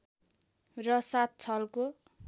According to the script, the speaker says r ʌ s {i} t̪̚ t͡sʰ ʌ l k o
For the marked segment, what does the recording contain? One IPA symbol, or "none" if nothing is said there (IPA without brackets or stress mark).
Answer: a